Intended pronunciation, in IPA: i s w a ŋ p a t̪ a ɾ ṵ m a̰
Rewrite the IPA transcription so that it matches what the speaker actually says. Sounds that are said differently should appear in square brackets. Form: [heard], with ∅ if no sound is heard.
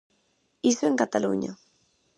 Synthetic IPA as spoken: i s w [e] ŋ [k] a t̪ a [l] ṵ [ɲ] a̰